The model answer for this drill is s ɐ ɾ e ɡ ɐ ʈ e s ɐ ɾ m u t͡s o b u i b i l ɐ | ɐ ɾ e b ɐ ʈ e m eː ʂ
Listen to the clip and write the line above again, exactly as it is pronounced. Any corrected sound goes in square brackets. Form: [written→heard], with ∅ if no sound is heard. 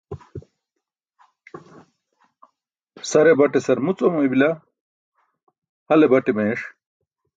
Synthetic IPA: s ɐ ɾ e [ɡ→b] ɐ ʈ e s ɐ ɾ m u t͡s o [b→m] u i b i l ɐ | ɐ [ɾ→l] e b ɐ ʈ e m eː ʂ